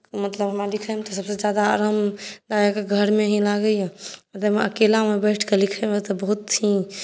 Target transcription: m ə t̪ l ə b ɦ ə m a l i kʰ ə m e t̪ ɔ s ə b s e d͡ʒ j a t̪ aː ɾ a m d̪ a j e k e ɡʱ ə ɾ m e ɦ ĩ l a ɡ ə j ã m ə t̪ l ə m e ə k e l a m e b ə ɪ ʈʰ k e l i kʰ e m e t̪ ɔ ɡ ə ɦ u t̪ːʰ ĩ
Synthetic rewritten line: m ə t̪ l ə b ɦ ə m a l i kʰ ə m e t̪ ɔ s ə b s e d͡ʒ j a d̪ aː ɾ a m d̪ a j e k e ɡʱ ə ɾ m e ɦ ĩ l a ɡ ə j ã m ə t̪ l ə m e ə k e l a m e b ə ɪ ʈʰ k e l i kʰ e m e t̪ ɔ b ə ɦ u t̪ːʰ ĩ